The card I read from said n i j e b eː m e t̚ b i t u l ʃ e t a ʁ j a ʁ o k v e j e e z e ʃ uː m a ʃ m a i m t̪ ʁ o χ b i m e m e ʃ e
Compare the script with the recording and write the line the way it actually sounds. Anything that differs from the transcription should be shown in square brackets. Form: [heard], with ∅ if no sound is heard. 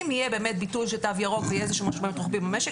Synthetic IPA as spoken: [m] i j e b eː m e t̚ b i t u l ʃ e t a [v] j a ʁ o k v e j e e z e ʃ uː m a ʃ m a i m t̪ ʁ o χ b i m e m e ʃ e